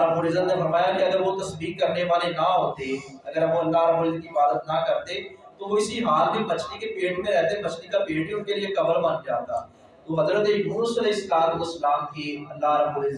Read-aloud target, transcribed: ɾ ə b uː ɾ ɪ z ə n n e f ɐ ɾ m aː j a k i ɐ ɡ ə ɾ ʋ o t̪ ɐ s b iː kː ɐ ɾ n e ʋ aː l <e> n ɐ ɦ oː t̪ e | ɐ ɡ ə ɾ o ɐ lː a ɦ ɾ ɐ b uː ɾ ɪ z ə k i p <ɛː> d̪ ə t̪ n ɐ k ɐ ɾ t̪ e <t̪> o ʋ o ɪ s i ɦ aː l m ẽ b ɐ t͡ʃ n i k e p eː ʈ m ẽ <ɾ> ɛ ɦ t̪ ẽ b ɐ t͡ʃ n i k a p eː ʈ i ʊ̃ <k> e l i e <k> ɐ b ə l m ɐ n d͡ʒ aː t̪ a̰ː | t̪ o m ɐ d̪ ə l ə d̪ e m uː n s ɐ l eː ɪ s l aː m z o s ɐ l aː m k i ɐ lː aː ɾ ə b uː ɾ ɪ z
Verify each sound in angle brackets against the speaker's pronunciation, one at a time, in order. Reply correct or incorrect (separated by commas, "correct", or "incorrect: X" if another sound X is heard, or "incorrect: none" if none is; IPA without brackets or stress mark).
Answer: correct, incorrect: aː, correct, correct, correct, correct